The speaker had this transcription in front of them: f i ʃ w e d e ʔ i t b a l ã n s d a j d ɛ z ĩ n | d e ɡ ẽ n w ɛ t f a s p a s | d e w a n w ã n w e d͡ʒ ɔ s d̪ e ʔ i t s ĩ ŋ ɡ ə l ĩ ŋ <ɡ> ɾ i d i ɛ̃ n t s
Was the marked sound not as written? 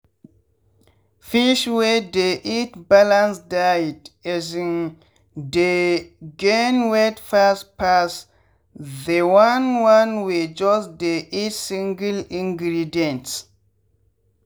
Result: no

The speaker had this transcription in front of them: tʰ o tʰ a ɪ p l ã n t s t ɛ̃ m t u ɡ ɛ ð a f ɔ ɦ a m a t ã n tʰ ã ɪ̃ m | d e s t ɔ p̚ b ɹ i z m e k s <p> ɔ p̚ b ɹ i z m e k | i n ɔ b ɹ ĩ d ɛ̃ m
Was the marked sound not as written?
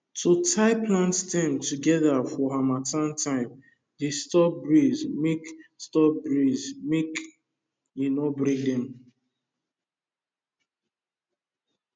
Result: yes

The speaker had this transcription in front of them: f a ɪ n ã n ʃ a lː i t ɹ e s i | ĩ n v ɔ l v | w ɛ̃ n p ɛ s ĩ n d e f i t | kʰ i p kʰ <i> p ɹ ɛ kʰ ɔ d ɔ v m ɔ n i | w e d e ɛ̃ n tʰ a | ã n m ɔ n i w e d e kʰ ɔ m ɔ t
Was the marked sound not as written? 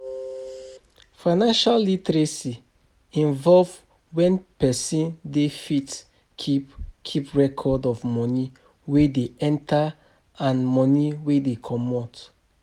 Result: no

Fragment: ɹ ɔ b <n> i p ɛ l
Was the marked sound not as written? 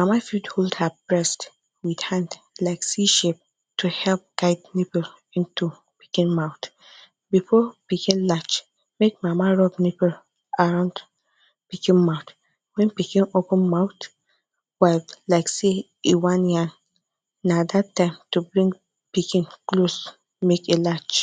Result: no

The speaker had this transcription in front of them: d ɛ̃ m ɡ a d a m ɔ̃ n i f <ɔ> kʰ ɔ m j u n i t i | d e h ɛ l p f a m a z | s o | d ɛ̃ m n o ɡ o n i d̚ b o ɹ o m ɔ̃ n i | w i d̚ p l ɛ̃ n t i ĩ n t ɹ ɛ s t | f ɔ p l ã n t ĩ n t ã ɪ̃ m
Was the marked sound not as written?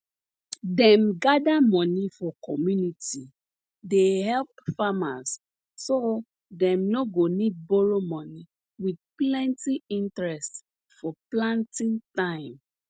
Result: no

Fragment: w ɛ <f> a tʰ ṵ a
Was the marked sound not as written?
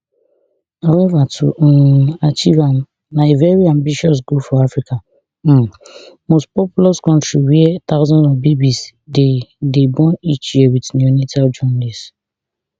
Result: yes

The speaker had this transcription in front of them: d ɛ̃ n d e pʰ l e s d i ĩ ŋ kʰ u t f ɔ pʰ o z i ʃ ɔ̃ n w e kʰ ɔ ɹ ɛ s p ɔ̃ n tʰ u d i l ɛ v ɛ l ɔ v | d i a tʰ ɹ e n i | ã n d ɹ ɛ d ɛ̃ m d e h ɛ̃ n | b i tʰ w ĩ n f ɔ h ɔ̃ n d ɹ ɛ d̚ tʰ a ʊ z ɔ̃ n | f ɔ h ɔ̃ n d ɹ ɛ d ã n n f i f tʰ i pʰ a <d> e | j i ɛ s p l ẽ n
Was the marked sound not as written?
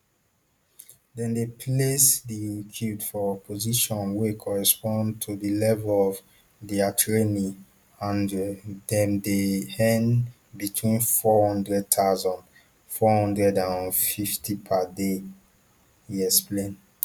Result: no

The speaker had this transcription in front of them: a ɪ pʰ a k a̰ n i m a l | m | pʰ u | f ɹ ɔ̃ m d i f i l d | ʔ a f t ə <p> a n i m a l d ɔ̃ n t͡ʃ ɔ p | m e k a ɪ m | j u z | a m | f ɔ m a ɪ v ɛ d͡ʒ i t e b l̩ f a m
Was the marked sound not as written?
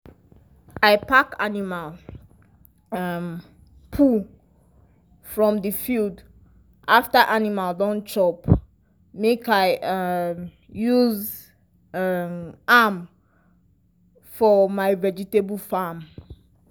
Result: yes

